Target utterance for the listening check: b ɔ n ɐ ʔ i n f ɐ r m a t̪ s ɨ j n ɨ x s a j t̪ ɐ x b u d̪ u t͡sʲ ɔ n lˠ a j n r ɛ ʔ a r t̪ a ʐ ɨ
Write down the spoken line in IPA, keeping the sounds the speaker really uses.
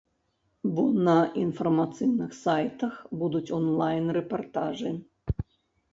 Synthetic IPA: b ɔ n ɐ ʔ i n f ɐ r m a t̪ s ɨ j n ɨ x s a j t̪ ɐ x b u d̪ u t͡sʲ ɔ n lˠ a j n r ɛ p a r t̪ a ʐ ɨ